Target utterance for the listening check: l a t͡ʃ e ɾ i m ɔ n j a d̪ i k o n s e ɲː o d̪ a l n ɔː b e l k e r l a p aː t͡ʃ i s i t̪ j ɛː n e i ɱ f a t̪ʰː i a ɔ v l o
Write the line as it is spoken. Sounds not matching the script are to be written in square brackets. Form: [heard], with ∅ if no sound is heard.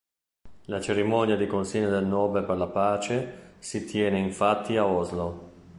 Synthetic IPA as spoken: l a t͡ʃ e ɾ i m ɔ n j a d̪ i k o n s [i] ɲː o d̪ [e] l n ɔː b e l [p] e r l a p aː t͡ʃ [e] s i t̪ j ɛː n e i ɱ f a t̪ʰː i a ɔ [z] l o